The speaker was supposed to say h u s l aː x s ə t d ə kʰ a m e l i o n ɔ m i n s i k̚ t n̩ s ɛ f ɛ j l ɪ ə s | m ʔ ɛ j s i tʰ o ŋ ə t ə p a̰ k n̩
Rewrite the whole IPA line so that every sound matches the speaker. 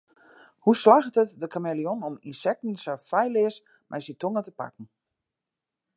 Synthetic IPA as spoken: h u s l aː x t ə t d ə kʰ a m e l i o n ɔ m i n s ɛ k̚ t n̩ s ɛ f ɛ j l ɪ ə s | m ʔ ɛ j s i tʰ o ŋ ə t ə p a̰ k n̩